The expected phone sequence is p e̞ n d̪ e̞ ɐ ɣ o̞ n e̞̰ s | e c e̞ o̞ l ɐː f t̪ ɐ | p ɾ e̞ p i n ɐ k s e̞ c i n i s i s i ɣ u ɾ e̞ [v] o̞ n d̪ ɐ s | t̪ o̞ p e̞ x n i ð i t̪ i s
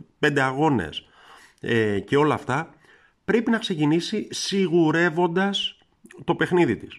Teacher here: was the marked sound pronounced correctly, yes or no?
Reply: yes